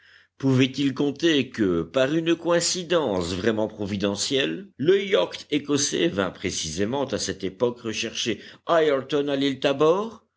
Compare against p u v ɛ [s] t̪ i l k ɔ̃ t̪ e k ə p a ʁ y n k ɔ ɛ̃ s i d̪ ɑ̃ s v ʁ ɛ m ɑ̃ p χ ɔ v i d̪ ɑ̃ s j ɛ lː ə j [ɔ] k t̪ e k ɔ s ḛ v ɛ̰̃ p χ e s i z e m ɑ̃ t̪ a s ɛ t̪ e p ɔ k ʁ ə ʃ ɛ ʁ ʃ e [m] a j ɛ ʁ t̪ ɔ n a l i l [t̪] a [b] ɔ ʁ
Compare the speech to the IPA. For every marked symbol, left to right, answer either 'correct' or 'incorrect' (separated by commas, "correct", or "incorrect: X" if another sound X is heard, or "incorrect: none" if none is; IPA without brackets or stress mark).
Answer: incorrect: none, correct, incorrect: none, correct, correct